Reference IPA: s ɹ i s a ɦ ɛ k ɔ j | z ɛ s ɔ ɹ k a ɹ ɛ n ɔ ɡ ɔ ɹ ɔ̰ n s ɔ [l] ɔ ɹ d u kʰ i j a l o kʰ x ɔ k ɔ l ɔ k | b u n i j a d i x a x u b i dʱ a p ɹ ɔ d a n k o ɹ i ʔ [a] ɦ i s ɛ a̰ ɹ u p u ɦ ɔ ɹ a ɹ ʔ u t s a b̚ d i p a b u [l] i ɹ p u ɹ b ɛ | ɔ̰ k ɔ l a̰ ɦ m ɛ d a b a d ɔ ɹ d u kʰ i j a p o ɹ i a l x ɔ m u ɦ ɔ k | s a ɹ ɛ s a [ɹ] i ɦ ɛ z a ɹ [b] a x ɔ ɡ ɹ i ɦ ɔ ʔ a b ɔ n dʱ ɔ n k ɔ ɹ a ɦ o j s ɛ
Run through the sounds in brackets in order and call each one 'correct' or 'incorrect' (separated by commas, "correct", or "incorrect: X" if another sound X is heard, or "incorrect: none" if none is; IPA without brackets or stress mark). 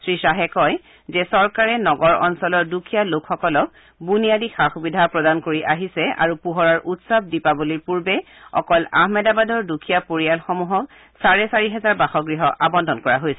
correct, correct, correct, correct, correct